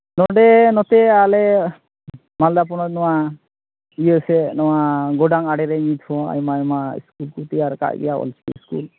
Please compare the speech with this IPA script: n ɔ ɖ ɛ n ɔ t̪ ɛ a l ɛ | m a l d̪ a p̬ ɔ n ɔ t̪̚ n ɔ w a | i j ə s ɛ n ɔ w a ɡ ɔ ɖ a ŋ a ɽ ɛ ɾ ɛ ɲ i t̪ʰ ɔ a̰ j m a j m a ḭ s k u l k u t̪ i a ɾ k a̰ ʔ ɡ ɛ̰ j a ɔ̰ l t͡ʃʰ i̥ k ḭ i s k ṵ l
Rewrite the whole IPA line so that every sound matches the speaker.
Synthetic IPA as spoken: n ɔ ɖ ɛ n ɔ t̪ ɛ a l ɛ | m a l d̪ a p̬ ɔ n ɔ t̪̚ n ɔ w a | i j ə s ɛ n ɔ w a ɡ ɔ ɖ a ŋ a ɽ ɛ ɾ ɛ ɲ i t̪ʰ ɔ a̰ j m a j m a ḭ s k u l k u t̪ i a ɾ k a̰ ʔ ɡ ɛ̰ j a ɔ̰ l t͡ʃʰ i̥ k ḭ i s k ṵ l